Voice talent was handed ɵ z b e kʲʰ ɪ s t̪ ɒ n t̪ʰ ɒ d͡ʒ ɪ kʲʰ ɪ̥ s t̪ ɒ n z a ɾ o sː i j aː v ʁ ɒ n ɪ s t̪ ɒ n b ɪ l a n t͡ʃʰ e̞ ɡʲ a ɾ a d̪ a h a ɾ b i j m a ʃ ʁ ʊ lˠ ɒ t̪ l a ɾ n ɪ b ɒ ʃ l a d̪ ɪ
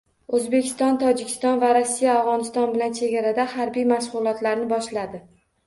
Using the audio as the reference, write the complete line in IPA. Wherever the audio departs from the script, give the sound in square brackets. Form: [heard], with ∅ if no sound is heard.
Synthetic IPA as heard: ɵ z b e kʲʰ ɪ s t̪ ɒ n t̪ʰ ɒ d͡ʒ ɪ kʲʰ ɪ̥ s t̪ ɒ n [v] a ɾ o sː i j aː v ʁ ɒ n ɪ s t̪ ɒ n b ɪ l a n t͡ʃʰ e̞ ɡʲ a ɾ a d̪ a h a ɾ b i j m a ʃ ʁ ʊ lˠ ɒ t̪ l a ɾ n ɪ b ɒ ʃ l a d̪ ɪ